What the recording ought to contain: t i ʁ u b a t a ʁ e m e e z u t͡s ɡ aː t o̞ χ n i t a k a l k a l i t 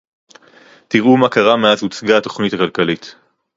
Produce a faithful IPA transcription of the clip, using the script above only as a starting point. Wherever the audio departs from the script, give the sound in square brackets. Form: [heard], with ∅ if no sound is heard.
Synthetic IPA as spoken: t i ʁ u [m] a [k] a ʁ [a] m e [a] z u t͡s ɡ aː t o̞ χ n i t a k a l k a l i t